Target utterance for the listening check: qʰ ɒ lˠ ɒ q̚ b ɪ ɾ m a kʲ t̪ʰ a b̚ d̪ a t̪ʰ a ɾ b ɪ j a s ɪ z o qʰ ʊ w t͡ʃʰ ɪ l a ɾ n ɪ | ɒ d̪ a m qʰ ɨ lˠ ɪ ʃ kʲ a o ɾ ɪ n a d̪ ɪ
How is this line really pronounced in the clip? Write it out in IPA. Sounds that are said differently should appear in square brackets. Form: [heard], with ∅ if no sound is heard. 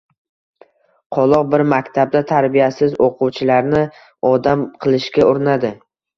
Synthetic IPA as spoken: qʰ ɒ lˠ ɒ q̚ b ɪ ɾ m a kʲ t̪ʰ a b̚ d̪ a t̪ʰ a ɾ b [i] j a s ɪ z o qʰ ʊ w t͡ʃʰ ɪ l a ɾ n ɪ | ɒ d̪ a m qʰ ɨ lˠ ɪ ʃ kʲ a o ɾ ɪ n a d̪ ɪ